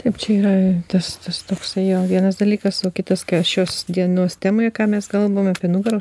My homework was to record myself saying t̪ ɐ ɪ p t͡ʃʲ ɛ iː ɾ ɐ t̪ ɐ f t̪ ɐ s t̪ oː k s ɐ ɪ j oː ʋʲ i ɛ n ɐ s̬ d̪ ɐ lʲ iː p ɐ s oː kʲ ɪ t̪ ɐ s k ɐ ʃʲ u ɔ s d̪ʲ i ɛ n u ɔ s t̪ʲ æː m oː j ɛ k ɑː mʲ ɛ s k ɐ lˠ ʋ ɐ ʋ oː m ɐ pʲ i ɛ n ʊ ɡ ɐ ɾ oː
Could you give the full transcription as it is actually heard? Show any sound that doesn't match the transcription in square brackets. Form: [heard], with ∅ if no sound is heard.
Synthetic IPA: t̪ ɐ ɪ p t͡ʃʲ ɛ iː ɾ ɐ t̪ ɐ [s] t̪ ɐ s t̪ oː k s ɐ ɪ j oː ʋʲ i ɛ n ɐ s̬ d̪ ɐ lʲ iː [k] ɐ s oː kʲ ɪ t̪ ɐ s k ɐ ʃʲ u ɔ s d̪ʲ i ɛ n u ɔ s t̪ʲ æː m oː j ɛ k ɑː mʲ ɛ s k ɐ lˠ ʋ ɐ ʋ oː m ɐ pʲ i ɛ n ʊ ɡ ɐ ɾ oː

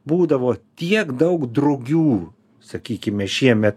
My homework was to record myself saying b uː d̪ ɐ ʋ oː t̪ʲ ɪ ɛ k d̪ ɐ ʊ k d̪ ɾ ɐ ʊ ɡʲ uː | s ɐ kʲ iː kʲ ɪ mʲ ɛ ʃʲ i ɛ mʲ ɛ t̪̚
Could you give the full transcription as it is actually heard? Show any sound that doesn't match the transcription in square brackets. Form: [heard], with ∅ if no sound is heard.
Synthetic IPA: b uː d̪ ɐ ʋ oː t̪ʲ [i] ɛ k d̪ ɐ ʊ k d̪ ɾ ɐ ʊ ɡʲ uː | s ɐ kʲ iː kʲ ɪ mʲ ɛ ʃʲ i ɛ mʲ ɛ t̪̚

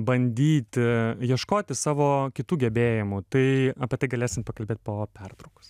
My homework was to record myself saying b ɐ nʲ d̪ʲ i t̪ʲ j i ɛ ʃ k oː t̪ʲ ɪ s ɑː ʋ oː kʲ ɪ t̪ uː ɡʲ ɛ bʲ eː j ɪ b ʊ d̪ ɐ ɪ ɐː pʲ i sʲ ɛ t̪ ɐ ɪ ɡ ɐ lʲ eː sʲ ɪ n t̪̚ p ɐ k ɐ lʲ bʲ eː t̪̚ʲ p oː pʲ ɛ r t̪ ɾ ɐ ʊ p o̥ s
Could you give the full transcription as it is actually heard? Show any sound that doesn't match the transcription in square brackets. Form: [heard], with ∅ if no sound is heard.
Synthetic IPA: b ɐ nʲ d̪ʲ [iː] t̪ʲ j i ɛ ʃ k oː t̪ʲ ɪ s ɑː ʋ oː kʲ ɪ t̪ uː ɡʲ ɛ bʲ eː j ɪ [m] ʊ [t̪] ɐ ɪ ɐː pʲ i [∅] ɛ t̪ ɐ ɪ ɡ ɐ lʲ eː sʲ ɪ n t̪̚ p ɐ k ɐ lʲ bʲ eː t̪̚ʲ p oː pʲ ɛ r t̪ ɾ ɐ ʊ [k] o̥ s

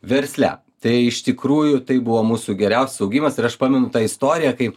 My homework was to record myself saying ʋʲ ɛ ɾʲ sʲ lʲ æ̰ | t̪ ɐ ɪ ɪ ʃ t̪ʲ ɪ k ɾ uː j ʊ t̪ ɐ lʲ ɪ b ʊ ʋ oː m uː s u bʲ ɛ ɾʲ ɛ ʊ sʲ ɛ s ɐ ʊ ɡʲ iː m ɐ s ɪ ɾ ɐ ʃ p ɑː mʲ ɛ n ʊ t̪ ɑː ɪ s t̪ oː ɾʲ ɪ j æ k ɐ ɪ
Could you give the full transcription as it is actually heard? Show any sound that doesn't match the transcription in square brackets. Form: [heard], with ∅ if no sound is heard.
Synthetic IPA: ʋʲ ɛ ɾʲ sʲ lʲ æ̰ | t̪ ɐ ɪ ɪ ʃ t̪ʲ ɪ k ɾ uː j ʊ t̪ ɐ [∅] ɪ b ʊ ʋ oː m uː s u [ɡʲ] ɛ ɾʲ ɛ ʊ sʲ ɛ s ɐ ʊ ɡʲ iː m ɐ s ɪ ɾ ɐ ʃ p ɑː mʲ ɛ n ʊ t̪ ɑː ɪ s t̪ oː ɾʲ ɪ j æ k ɐ ɪ

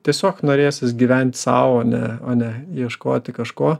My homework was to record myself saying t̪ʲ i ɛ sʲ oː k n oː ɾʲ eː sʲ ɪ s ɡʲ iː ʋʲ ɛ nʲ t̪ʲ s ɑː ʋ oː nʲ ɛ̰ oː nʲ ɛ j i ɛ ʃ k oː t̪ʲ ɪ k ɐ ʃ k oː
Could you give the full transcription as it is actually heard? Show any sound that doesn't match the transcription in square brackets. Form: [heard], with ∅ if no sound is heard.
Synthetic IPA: t̪ʲ i ɛ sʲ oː k n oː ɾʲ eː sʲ ɪ s ɡʲ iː ʋʲ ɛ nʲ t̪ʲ s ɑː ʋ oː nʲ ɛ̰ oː nʲ ɛ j i ɛ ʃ k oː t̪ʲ ɪ k ɐ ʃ k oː

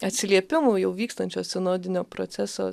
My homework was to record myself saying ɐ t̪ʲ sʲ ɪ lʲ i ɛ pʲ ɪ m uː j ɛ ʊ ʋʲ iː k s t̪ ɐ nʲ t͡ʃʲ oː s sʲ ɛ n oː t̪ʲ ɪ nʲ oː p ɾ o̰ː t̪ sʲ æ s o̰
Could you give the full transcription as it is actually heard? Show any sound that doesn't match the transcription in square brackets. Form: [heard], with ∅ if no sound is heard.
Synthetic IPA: ɐ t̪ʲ sʲ ɪ lʲ i ɛ pʲ ɪ m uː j ɛ ʊ ʋʲ iː k s t̪ ɐ nʲ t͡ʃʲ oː s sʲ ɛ n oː [d̪ʲ] ɪ nʲ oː p ɾ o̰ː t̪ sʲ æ s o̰

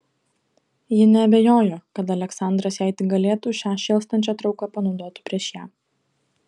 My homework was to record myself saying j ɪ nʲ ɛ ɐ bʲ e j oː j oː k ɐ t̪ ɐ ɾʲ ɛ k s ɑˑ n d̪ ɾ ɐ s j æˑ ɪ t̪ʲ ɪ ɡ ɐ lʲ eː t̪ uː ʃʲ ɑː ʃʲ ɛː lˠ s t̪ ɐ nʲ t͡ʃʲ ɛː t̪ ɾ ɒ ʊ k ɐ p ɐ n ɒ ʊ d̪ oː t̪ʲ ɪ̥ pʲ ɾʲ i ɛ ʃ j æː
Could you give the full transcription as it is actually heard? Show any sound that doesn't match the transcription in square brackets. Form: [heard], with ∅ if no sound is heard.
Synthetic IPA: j ɪ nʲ ɛ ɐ bʲ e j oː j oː k ɐ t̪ ɐ [lʲ] ɛ k s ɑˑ n d̪ ɾ ɐ s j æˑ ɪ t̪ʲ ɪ ɡ ɐ lʲ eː t̪ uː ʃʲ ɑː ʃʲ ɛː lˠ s t̪ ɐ nʲ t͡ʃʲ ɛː t̪ ɾ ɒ ʊ k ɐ p ɐ n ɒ ʊ d̪ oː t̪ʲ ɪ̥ pʲ ɾʲ i ɛ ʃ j æː

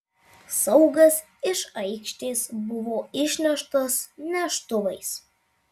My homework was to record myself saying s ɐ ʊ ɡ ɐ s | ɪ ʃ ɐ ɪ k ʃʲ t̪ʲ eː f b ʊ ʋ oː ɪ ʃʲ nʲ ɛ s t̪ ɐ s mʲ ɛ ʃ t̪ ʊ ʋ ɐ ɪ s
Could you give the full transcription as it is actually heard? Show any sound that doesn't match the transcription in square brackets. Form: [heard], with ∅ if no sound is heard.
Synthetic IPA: s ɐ ʊ ɡ ɐ s | ɪ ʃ ɐ ɪ k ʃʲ t̪ʲ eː [s] b ʊ ʋ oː ɪ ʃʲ nʲ ɛ [ʃ] t̪ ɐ s [nʲ] ɛ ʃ t̪ ʊ ʋ ɐ ɪ s

